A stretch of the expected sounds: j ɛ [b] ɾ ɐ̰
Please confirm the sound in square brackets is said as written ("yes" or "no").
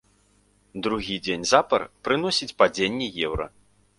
no